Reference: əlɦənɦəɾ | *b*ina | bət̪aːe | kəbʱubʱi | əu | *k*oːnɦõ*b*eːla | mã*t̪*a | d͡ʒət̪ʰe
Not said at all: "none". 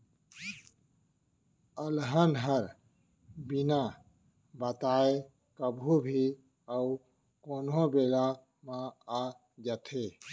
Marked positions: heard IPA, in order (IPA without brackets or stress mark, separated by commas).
b, k, b, none